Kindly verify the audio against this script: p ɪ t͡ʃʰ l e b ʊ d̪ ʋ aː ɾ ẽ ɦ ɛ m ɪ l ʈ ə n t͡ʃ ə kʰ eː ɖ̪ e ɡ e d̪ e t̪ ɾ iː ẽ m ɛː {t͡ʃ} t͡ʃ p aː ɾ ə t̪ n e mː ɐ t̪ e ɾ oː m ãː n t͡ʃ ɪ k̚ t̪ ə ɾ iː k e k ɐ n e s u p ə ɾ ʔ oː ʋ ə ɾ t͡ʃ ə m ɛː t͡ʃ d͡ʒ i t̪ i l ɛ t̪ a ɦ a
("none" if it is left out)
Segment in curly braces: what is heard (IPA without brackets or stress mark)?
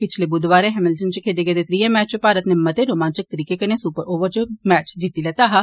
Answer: t͡ʃ